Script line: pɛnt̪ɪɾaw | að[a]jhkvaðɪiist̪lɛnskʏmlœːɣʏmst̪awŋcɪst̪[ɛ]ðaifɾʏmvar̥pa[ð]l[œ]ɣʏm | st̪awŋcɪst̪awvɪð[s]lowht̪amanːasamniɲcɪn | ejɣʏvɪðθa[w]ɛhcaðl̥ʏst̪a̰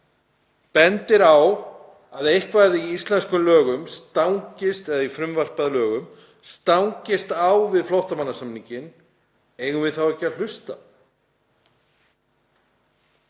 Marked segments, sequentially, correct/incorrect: incorrect, correct, correct, incorrect, incorrect, correct

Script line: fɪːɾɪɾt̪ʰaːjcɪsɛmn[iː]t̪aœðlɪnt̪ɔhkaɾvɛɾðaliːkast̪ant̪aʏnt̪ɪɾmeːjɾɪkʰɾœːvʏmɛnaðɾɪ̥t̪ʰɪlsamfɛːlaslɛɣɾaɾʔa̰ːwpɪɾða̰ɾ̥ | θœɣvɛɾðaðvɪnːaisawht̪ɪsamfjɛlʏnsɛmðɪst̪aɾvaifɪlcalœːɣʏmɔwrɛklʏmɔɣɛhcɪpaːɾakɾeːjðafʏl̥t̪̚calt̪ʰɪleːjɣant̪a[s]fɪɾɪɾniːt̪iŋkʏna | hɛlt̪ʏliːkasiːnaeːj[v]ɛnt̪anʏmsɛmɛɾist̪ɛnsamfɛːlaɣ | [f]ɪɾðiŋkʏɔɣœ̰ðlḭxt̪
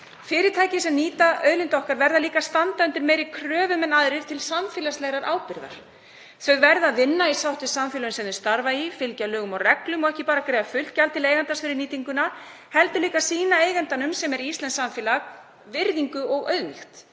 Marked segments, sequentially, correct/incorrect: correct, correct, incorrect, incorrect

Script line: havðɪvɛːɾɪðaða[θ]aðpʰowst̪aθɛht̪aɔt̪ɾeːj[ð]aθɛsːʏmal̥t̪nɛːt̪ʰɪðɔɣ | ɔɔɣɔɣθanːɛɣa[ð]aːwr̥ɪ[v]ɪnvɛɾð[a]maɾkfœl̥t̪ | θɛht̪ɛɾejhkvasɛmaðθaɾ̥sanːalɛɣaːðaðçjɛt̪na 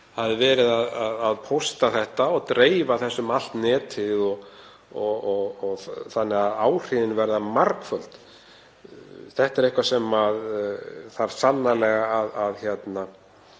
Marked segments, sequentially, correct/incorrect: incorrect, incorrect, correct, incorrect, correct

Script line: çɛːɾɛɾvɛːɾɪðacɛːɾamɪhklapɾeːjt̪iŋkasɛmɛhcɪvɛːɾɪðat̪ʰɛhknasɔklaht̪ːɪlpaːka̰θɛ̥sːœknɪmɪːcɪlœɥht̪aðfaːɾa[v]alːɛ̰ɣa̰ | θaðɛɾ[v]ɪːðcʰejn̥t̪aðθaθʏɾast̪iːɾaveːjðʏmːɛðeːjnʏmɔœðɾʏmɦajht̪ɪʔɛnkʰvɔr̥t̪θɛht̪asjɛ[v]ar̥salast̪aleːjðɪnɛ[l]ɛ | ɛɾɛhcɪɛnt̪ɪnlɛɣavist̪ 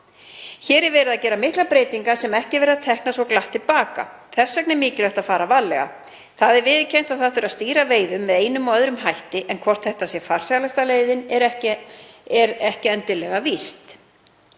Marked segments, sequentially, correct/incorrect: correct, correct, incorrect, incorrect

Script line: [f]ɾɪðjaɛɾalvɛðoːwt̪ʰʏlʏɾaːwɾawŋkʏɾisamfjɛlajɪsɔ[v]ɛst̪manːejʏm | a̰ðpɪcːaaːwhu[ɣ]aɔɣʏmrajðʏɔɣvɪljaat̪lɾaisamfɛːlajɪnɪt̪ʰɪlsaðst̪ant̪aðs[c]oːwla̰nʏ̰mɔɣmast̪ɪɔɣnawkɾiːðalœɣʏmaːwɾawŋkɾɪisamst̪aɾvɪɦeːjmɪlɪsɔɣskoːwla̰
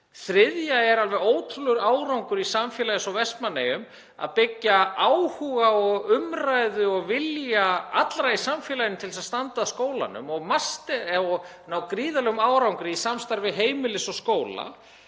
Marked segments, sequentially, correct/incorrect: incorrect, correct, correct, incorrect

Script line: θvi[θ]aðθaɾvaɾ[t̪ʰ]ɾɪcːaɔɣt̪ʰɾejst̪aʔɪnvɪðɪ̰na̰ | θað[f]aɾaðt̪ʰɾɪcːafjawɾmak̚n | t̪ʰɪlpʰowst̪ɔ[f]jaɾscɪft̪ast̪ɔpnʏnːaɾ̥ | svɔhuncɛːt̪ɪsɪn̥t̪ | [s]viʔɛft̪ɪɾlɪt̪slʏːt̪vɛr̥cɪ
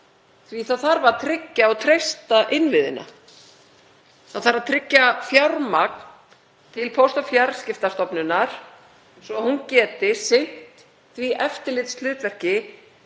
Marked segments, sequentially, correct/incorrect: correct, correct, incorrect, correct, incorrect

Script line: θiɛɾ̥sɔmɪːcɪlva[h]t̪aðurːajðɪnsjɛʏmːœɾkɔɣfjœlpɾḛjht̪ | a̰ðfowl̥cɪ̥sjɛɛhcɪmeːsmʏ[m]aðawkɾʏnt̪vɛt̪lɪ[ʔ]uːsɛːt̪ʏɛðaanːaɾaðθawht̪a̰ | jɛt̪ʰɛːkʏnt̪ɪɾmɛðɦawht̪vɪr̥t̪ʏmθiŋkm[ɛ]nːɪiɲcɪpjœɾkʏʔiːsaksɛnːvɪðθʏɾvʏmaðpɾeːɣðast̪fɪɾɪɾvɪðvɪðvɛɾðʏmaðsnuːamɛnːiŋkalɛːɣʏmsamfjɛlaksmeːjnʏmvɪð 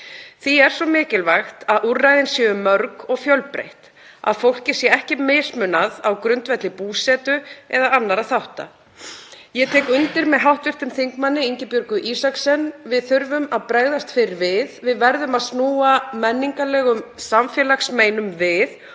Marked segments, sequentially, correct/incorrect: incorrect, incorrect, incorrect, incorrect

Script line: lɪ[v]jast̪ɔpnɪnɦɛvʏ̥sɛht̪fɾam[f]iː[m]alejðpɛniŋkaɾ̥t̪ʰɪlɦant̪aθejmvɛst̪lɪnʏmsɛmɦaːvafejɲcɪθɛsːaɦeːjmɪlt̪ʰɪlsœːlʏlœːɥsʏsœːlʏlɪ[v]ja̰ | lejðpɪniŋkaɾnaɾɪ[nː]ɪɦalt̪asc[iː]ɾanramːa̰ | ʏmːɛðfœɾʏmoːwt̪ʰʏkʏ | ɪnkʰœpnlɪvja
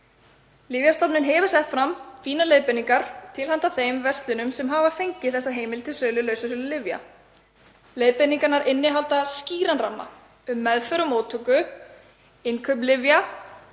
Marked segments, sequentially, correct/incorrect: correct, correct, incorrect, correct, correct, correct

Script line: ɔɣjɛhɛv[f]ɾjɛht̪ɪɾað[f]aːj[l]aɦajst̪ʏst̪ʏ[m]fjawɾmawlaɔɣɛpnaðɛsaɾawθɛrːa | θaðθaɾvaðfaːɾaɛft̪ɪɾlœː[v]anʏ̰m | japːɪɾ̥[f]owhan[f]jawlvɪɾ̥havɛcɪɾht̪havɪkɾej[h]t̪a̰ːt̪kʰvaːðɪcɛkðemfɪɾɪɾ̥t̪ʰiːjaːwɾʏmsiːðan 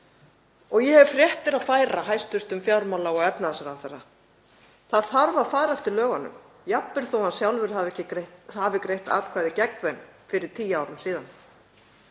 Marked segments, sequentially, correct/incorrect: correct, correct, incorrect, correct, incorrect, incorrect, incorrect, correct

